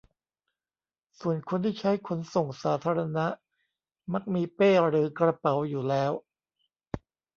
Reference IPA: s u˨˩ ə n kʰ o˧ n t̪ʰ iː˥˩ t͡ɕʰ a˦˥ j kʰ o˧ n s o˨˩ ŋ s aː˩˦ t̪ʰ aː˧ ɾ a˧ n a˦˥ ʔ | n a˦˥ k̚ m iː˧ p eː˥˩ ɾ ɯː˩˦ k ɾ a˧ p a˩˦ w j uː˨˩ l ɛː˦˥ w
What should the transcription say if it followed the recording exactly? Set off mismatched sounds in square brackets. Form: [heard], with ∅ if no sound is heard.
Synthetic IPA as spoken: s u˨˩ ə n kʰ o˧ n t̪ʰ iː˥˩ t͡ɕʰ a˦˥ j kʰ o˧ n s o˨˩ ŋ s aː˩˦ t̪ʰ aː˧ ɾ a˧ n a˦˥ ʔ | [m] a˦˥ k̚ m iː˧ p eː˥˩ ɾ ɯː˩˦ k ɾ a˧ p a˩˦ w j uː˨˩ l ɛː˦˥ w